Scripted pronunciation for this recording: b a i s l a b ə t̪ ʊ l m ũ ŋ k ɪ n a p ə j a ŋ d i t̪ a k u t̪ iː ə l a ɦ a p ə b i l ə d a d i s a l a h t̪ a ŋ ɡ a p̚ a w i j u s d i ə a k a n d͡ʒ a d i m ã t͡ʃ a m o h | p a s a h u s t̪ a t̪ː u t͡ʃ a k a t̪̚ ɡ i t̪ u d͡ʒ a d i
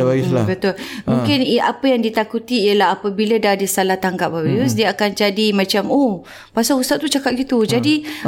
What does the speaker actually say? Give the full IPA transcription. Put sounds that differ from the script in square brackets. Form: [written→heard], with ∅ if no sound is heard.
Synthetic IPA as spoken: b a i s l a b ə t̪ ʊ l m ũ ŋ k ɪ n a p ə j a ŋ d i t̪ a k u t̪ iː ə l a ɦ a p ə b i l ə d a d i s a l a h t̪ a ŋ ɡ a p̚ a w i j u s d i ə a k a n d͡ʒ a d i m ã t͡ʃ a m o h | p a s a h u s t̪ a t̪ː u t͡ʃ a k a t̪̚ ɡ i t̪ u d͡ʒ a d i